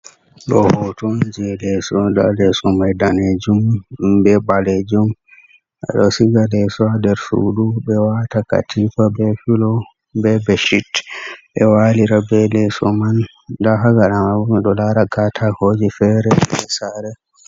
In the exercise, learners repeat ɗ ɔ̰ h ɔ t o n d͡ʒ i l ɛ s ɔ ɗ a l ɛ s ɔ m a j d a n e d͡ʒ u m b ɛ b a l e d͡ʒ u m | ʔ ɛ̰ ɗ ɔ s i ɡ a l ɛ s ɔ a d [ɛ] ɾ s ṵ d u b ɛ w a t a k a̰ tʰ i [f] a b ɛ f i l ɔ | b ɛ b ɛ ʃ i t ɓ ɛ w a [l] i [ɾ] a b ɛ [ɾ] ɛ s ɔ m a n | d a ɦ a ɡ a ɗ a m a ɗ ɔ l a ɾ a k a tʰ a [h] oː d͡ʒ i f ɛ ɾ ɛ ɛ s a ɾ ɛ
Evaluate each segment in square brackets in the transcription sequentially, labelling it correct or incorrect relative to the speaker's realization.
correct, correct, correct, correct, incorrect, correct

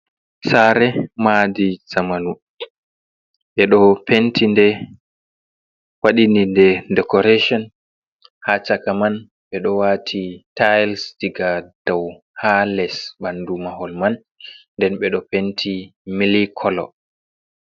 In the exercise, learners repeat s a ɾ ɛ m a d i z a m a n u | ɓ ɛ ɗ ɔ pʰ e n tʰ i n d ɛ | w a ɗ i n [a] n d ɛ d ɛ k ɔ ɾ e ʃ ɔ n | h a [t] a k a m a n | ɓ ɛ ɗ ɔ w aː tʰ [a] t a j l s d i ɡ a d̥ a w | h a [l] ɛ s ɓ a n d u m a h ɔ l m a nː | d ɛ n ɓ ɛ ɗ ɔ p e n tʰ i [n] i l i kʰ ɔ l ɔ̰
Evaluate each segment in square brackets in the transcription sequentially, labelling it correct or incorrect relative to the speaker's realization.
incorrect, incorrect, incorrect, correct, incorrect

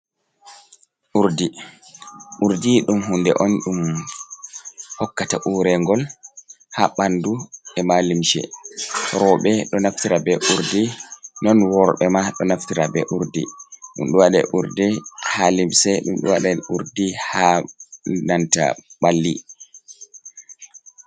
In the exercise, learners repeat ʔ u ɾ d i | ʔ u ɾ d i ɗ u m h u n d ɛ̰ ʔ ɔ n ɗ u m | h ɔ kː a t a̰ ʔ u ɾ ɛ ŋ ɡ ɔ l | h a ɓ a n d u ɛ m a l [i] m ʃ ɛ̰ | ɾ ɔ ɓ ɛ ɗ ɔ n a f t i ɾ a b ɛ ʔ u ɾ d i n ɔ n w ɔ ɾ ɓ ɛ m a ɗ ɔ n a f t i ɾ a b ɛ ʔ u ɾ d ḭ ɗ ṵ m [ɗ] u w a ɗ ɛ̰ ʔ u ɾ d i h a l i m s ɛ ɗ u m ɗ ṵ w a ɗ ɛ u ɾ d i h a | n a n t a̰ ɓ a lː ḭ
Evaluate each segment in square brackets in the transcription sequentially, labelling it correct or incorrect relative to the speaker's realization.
correct, correct

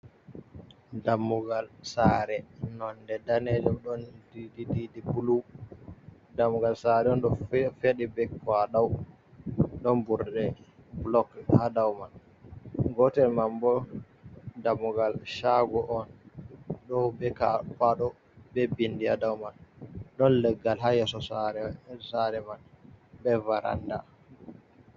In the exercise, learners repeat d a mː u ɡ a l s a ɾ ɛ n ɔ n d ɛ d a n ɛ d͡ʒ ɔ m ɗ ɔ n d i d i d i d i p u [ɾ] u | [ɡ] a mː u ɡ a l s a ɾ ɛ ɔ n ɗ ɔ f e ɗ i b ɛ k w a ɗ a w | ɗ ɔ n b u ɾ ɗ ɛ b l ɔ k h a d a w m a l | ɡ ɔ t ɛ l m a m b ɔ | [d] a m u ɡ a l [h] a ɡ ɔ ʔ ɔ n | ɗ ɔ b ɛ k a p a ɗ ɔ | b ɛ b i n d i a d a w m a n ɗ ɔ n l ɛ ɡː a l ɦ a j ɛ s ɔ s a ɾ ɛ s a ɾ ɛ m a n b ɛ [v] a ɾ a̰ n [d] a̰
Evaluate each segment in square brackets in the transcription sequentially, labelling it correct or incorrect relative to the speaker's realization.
incorrect, incorrect, correct, incorrect, correct, correct

